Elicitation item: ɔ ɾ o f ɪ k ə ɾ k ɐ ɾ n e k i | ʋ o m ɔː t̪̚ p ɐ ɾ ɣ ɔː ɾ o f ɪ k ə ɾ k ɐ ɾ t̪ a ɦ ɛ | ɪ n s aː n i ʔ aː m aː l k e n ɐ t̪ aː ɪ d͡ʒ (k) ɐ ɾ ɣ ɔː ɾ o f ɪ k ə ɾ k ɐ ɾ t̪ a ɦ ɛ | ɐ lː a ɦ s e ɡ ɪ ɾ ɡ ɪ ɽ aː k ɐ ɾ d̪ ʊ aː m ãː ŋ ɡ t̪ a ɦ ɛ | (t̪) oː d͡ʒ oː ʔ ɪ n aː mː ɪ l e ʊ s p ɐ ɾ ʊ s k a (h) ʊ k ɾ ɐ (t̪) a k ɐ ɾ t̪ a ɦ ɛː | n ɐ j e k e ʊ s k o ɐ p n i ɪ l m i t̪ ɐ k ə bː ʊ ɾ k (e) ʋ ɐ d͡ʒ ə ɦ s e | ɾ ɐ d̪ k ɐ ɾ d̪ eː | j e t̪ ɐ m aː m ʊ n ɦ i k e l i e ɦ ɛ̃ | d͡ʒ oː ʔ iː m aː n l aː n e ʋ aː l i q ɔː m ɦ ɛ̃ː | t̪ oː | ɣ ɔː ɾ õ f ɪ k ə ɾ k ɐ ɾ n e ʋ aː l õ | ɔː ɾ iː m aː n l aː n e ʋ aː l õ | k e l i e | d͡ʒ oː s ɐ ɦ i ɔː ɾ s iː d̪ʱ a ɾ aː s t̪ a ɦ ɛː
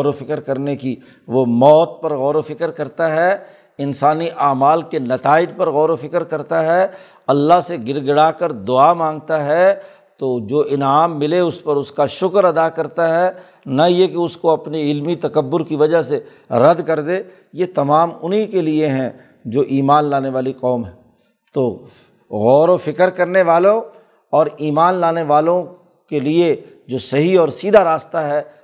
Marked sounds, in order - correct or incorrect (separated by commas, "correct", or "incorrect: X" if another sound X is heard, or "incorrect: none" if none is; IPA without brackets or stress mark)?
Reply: incorrect: p, correct, incorrect: ʃ, incorrect: d̪, incorrect: i